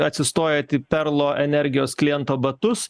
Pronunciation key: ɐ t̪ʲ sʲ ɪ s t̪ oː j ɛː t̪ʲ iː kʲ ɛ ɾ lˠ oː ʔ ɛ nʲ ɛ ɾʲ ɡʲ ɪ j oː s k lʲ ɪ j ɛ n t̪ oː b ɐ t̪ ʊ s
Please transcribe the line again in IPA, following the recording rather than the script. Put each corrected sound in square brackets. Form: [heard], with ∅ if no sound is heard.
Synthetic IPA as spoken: ɐ t̪ʲ sʲ ɪ s t̪ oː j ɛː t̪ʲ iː [pʲ] ɛ ɾ lˠ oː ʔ ɛ nʲ ɛ ɾʲ ɡʲ ɪ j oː s k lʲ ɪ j ɛ n t̪ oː b ɐ t̪ ʊ s